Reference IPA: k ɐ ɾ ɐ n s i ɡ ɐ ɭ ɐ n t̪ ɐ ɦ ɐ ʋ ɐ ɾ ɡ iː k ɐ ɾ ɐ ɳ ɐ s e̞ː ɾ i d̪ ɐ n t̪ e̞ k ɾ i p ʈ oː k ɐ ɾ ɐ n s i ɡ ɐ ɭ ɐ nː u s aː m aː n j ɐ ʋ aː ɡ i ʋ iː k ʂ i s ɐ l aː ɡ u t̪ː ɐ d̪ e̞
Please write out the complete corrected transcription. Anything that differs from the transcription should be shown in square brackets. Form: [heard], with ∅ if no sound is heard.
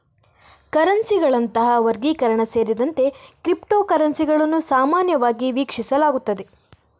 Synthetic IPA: k ɐ ɾ ɐ n s i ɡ ɐ ɭ ɐ n t̪ ɐ ɦ ɐ ʋ ɐ ɾ ɡ iː k ɐ ɾ ɐ ɳ ɐ s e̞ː ɾ i d̪ ɐ n t̪ e̞ k ɾ i p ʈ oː k ɐ ɾ ɐ n s i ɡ ɐ ɭ ɐ nː u s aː m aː n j ɐ ʋ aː ɡ i ʋ iː k ʂ i s ɐ l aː ɡ u t̪ː ɐ d̪ e̞

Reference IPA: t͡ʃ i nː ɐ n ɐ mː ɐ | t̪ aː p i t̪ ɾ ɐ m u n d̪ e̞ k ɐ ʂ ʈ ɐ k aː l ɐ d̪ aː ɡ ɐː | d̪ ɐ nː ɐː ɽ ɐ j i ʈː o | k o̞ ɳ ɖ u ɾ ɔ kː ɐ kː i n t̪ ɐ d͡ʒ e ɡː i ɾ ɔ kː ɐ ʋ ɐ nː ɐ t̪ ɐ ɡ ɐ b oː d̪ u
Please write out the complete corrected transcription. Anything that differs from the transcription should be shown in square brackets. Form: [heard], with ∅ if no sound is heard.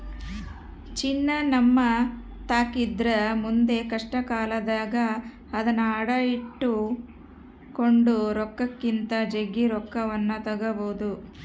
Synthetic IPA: t͡ʃ i nː ɐ n ɐ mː ɐ | t̪ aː [k] i [d̪] ɾ ɐ m u n d̪ e̞ k ɐ ʂ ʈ ɐ k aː l ɐ d̪ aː ɡ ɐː | d̪ ɐ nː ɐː ɽ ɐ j i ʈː [u] | k o̞ ɳ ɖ u ɾ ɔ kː ɐ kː i n t̪ ɐ d͡ʒ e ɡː i ɾ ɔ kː ɐ ʋ ɐ nː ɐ t̪ ɐ ɡ ɐ b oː d̪ u

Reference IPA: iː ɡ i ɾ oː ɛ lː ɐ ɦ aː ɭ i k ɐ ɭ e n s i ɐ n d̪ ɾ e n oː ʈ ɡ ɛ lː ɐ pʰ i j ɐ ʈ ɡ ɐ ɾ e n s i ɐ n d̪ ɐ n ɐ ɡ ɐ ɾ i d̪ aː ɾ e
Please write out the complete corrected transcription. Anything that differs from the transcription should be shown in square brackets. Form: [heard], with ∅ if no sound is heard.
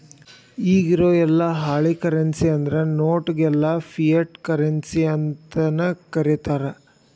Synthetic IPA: iː ɡ i ɾ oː ɛ lː ɐ ɦ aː ɭ i k ɐ [ɾ] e n s i ɐ n d̪ ɾ e n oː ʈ ɡ ɛ lː ɐ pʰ i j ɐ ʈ [k] ɐ ɾ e n s i ɐ n [t̪] ɐ n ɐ [k] ɐ ɾ i [t̪] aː ɾ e

